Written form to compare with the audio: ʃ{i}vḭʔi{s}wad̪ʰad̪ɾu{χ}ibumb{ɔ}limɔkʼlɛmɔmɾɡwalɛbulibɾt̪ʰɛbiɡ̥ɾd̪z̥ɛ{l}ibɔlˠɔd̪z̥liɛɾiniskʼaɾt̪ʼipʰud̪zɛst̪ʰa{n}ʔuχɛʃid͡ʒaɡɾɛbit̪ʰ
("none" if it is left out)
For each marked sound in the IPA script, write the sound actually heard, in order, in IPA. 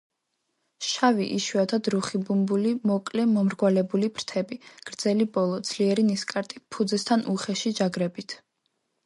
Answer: a, ʃ, χ, u, l, n

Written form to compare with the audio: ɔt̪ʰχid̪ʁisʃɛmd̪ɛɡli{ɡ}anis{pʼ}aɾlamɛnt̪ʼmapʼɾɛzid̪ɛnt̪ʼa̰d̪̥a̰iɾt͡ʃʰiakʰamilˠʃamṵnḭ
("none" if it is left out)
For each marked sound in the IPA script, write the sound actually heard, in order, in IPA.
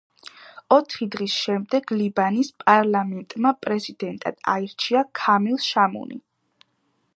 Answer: b, pʼ

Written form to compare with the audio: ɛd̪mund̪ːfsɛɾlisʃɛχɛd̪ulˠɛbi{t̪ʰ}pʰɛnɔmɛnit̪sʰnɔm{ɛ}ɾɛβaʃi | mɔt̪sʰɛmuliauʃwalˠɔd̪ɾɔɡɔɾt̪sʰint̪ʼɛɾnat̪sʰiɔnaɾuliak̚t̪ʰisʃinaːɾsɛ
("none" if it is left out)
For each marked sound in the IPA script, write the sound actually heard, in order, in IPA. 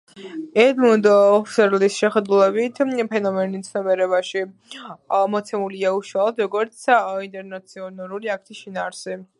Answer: t̪ʰ, ɛ

